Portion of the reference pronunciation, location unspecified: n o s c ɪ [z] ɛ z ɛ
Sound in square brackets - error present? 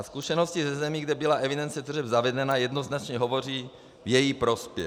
no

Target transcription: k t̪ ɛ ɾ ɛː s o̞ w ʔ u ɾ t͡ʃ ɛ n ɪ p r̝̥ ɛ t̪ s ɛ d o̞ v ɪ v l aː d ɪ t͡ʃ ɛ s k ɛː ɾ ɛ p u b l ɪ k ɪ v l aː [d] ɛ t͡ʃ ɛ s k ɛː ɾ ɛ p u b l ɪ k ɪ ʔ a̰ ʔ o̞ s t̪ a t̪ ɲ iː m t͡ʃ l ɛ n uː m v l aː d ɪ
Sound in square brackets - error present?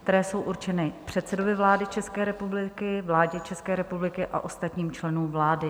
yes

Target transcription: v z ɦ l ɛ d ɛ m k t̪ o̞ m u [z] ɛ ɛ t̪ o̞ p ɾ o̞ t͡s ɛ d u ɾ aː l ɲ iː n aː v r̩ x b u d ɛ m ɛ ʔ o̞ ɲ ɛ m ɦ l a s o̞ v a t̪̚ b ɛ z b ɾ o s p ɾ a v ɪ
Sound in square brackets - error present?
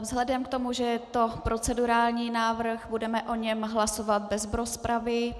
yes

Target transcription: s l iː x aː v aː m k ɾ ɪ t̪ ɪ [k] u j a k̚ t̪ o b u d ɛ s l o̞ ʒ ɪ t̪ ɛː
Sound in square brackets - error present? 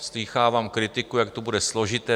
no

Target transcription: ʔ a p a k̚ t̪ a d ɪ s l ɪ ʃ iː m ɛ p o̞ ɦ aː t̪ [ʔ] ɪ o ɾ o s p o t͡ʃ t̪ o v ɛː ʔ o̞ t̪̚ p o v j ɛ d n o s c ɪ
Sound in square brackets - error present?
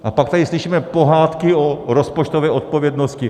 yes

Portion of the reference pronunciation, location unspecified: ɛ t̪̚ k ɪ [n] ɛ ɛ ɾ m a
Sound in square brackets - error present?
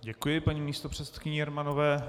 yes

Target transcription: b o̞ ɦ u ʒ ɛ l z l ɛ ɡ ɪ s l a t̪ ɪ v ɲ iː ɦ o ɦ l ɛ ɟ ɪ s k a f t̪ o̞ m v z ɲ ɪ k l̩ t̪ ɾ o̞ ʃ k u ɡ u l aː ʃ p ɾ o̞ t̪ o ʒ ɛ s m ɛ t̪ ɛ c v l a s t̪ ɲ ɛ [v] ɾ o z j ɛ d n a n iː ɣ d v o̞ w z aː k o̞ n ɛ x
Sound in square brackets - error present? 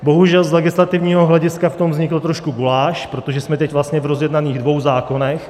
no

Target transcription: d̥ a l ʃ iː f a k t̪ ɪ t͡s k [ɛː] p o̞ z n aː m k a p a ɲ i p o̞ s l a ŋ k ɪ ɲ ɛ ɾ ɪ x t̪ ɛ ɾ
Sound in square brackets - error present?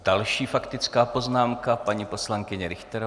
yes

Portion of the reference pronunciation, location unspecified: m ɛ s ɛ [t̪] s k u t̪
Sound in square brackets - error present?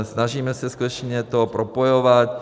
yes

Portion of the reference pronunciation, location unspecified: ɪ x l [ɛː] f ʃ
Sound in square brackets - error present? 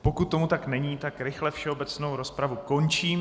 yes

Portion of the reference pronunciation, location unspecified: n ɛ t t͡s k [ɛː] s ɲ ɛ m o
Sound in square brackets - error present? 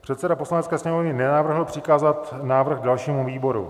no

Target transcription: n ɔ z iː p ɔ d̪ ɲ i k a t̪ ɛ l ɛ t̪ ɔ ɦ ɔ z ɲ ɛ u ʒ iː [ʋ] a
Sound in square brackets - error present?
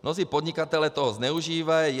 no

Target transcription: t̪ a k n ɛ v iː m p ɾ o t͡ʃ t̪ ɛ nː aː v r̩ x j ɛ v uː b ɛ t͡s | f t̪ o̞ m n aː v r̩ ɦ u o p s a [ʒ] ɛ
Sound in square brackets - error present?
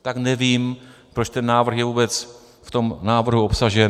no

